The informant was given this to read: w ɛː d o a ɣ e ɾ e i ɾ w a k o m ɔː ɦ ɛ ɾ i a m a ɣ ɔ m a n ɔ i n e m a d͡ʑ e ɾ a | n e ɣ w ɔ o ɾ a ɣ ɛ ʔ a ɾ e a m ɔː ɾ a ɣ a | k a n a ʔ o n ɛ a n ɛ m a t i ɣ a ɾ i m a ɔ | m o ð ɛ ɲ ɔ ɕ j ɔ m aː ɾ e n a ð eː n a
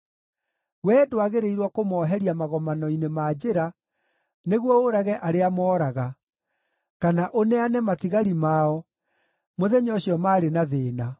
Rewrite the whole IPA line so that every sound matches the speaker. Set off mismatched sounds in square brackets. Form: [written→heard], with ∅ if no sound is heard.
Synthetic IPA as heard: w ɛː d o a ɣ e ɾ e i ɾ w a k o m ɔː ɦ ɛ ɾ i a m a ɣ ɔ m a n ɔ i n e m a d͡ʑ e ɾ a | n e ɣ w ɔ o ɾ a ɣ ɛ ʔ a ɾ e a m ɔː ɾ a ɣ a | k a n a ʔ o n ɛ a n ɛ m a t i ɣ a ɾ i m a ɔ | m o ð ɛ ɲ ɔ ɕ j ɔ m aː ɾ e n a ð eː n a